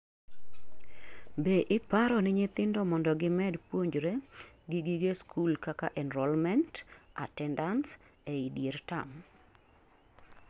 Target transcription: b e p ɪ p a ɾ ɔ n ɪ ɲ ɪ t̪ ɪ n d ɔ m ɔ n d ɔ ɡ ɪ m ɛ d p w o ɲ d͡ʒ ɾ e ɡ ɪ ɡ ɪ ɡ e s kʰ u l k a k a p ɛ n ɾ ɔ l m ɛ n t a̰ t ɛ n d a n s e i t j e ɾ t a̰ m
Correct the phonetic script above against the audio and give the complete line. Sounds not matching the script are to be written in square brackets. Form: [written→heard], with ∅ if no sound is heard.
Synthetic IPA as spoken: b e [p→ʔ] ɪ p a ɾ ɔ n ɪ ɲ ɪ t̪ ɪ n d ɔ m ɔ n d ɔ ɡ ɪ m ɛ d p w o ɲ d͡ʒ ɾ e ɡ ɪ ɡ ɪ ɡ e s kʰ u l k a k a [p→ʔ] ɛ n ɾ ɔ l m ɛ n t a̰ t ɛ n d a n s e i [t→d] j e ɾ t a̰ m